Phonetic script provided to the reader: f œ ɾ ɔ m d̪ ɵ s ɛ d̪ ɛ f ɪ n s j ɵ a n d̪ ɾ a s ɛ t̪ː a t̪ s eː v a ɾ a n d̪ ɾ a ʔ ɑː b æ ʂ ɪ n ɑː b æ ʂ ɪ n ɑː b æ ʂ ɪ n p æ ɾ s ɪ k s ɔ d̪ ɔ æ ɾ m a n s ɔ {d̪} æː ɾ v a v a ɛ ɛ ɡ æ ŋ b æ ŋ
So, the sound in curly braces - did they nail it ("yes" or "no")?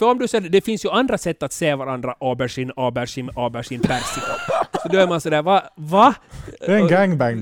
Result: yes